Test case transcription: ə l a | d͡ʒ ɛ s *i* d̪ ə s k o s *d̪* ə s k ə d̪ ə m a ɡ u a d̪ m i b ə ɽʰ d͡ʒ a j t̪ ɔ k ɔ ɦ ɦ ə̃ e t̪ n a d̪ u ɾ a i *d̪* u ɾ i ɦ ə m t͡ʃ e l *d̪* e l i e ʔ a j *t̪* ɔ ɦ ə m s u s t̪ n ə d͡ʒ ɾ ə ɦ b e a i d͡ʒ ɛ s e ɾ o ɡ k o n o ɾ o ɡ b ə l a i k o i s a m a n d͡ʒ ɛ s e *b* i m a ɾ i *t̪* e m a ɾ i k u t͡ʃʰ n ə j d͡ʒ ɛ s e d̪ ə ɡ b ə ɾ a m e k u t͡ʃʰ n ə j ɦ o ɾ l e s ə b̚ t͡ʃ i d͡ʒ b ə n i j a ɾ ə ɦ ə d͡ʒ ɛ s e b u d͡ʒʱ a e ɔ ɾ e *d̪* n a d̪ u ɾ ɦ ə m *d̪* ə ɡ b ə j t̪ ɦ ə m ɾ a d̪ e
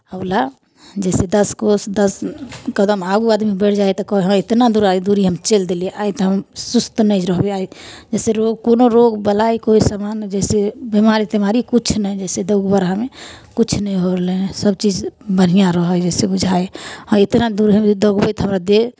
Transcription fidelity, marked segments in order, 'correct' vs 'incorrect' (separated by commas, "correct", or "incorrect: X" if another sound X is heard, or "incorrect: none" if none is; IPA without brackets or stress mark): incorrect: e, correct, correct, correct, correct, correct, correct, incorrect: t̪, correct